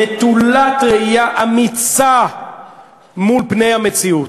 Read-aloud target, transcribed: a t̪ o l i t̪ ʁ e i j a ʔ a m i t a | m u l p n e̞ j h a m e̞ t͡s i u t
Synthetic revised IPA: e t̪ u l a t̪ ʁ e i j a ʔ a m i t͡s a | m u l p n e̞ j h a m e̞ t͡s i u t